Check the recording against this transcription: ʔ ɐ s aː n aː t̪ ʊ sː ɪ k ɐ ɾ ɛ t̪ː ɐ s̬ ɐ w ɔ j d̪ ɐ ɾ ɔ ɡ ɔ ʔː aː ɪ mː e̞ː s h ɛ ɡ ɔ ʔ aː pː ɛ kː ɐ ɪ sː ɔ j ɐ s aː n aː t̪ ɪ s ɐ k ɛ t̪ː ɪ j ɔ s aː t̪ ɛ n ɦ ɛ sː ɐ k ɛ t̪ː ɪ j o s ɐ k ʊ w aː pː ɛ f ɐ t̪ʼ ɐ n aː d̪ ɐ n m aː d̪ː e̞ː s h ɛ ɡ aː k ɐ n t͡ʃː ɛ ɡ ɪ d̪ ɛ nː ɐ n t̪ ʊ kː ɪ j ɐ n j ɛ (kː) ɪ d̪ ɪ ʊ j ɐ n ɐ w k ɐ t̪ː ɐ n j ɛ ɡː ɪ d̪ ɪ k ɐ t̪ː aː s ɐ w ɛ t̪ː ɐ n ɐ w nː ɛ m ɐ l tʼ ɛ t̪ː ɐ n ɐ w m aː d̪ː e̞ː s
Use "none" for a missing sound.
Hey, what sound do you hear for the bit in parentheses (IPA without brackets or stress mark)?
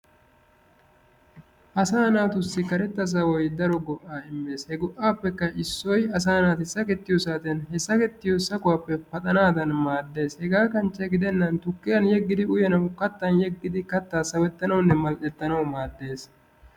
ɡː